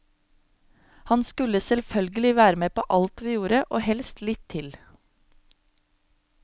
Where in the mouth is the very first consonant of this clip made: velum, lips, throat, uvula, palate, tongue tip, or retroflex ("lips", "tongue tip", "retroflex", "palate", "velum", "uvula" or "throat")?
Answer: throat